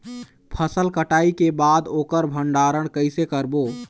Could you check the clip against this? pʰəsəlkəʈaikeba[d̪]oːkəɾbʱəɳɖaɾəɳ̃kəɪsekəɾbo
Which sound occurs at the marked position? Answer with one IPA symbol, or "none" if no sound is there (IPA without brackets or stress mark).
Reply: d̪